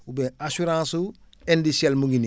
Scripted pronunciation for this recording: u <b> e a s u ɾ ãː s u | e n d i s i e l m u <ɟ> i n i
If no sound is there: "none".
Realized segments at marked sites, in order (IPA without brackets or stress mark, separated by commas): b, ɡ